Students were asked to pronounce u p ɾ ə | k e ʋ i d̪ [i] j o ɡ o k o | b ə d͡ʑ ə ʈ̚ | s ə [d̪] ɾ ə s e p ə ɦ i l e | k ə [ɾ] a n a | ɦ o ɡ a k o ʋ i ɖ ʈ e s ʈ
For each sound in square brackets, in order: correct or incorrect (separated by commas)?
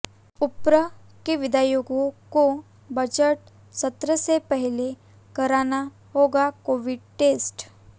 incorrect, incorrect, correct